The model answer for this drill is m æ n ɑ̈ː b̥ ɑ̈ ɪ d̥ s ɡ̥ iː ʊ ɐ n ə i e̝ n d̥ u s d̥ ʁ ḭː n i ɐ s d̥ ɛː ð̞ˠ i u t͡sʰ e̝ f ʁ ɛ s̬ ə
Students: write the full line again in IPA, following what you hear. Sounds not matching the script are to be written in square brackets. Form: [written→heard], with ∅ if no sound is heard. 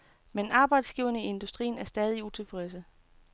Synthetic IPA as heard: m [æ→e] n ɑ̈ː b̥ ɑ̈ ɪ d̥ s ɡ̥ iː ʊ ɐ n ə i e̝ n d̥ u s d̥ ʁ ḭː n [i→æ] ɐ s d̥ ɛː ð̞ˠ i u t͡sʰ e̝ f ʁ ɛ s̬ ə